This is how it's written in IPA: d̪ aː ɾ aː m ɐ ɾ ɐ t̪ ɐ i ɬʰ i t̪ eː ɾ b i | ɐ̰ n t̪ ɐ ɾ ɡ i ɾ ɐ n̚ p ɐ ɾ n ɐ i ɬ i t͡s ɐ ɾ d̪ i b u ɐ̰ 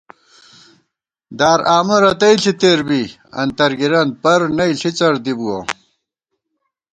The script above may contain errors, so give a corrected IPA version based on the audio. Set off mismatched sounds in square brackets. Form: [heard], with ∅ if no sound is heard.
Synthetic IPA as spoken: d̪ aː ɾ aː m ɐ ɾ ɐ t̪ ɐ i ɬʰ i t̪ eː ɾ b i | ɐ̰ n t̪ ɐ ɾ ɡ i ɾ ɐ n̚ p ɐ ɾ n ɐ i ɬ i t͡s ɐ ɾ d̪ i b u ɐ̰